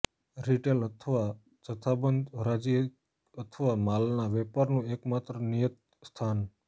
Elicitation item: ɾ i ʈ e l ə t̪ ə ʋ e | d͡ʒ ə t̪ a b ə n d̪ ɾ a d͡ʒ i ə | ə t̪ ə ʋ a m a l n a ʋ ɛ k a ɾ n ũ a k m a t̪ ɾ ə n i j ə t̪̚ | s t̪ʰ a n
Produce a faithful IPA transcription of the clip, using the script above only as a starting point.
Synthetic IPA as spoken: ɾ i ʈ e l ə t̪ʰ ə ʋ a | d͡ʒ ə t̪ʰ a b ə n d̪ ɾ a d͡ʒ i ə | ə t̪ʰ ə ʋ a m a l n a ʋ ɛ p a ɾ n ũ e k m a t̪ ɾ ə n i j ə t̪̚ | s t̪ʰ a n